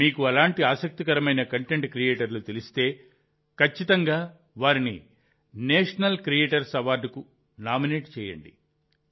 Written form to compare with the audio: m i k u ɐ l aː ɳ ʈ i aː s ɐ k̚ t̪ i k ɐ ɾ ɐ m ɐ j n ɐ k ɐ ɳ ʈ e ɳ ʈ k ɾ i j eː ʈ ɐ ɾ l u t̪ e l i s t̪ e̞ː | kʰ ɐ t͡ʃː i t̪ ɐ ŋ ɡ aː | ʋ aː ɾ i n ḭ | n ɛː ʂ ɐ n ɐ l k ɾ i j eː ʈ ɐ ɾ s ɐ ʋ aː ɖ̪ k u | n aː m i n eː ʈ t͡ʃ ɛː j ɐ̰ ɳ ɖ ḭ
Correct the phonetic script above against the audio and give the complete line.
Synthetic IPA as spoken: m iː k u ɐ l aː ɳ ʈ i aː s ɐ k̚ t̪ i k ɐ ɾ ɐ m ɐ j n ɐ k ɐ ɳ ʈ e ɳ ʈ k ɾ i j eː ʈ ɐ ɾ l u t̪ e l i s t̪ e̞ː | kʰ ɐ t͡ʃː i t̪ ɐ ŋ ɡ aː | ʋ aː ɾ i n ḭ | n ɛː ʂ ɐ n ɐ l k ɾ i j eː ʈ ɐ ɾ s ɐ ʋ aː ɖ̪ k u | n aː m i n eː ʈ t͡ʃ ɛː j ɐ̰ ɳ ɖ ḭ